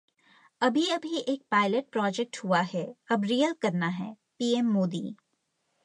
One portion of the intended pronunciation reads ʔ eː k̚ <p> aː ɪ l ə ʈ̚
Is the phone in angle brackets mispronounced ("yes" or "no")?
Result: no